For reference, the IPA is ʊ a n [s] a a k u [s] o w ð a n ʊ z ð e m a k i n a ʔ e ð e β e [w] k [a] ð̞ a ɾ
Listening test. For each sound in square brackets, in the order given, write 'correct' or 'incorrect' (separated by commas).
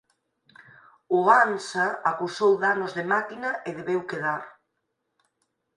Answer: correct, correct, correct, incorrect